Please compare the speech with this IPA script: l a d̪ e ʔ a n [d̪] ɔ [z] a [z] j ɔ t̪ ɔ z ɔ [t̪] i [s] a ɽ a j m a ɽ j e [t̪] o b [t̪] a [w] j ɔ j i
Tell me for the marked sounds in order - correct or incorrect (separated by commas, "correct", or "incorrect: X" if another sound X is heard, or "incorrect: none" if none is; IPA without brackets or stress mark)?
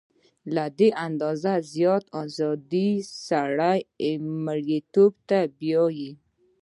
correct, correct, correct, incorrect: d̪, correct, correct, correct, incorrect: b